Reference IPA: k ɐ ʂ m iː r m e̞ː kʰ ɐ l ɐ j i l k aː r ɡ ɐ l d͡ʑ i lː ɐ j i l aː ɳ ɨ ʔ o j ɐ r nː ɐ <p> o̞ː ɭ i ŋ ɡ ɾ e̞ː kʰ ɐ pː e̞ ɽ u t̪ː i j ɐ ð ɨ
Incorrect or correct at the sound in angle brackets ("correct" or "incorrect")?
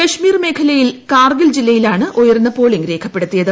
correct